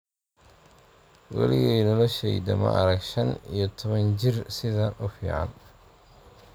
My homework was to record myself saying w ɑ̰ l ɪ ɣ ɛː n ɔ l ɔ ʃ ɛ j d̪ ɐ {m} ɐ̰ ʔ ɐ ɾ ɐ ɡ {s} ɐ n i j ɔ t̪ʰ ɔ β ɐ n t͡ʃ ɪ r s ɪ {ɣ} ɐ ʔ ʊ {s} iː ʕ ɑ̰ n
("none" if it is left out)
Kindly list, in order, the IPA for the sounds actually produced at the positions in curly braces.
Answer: m, ʃ, ð, f

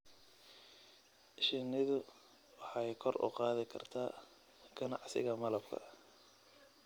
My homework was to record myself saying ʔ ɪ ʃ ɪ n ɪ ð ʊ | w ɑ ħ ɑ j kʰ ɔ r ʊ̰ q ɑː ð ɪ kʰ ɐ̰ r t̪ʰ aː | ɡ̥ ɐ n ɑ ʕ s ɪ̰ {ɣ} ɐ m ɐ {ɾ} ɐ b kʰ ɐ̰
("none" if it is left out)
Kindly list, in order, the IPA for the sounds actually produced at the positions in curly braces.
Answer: ɣ, l

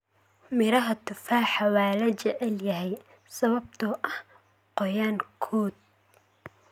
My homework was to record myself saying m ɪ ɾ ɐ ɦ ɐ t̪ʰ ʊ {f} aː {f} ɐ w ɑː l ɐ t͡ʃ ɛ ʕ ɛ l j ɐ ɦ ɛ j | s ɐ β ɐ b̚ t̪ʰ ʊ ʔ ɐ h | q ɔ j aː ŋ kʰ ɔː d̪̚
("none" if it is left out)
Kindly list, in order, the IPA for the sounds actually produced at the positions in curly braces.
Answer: f, ħ

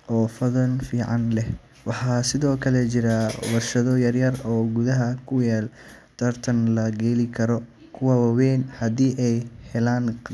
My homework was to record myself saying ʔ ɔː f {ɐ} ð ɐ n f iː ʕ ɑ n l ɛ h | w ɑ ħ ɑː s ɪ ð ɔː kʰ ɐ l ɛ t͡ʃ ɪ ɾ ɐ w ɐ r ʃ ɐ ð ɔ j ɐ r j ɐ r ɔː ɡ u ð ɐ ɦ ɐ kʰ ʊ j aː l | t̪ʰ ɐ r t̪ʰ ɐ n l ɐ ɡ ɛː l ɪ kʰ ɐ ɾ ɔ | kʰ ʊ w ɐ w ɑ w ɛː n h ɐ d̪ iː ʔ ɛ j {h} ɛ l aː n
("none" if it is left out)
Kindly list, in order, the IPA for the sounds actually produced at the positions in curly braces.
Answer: ɐ, h

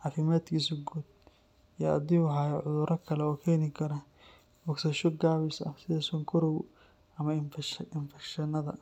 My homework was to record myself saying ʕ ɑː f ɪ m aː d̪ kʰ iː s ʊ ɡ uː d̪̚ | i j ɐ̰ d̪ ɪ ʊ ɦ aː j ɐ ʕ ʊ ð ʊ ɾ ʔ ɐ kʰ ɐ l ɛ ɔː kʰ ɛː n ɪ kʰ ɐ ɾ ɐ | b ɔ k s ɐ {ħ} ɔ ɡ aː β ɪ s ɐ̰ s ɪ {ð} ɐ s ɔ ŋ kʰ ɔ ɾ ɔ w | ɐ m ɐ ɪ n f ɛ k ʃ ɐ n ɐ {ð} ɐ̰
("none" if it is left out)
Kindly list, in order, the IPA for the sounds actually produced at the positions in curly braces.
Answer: ʃ, ð, ð

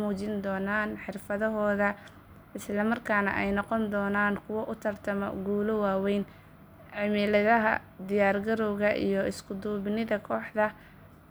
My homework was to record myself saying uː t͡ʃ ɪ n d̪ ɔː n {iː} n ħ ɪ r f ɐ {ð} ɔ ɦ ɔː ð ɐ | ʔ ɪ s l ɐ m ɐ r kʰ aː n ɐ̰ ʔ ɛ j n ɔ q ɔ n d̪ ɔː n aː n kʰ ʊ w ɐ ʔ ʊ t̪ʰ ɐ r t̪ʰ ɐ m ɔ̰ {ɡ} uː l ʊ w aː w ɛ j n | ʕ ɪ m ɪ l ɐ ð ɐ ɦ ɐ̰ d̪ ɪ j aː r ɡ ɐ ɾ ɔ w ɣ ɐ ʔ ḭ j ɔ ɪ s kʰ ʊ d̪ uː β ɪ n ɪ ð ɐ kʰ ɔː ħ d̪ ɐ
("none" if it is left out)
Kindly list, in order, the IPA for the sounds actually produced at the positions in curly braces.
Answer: aː, ð, ɡ

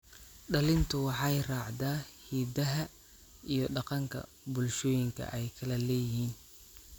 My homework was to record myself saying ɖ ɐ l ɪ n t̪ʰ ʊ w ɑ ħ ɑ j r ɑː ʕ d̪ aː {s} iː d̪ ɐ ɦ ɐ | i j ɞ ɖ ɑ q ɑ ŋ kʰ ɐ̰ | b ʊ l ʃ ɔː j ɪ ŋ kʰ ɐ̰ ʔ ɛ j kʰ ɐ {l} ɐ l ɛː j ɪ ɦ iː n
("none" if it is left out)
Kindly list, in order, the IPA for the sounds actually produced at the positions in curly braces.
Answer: h, l

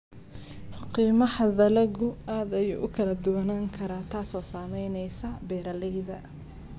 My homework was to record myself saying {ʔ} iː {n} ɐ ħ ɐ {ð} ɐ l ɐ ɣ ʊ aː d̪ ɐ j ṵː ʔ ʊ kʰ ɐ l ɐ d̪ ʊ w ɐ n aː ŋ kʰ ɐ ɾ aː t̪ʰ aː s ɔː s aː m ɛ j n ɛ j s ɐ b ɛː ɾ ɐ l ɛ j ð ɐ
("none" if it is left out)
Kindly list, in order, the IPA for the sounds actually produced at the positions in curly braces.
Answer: q, m, ð

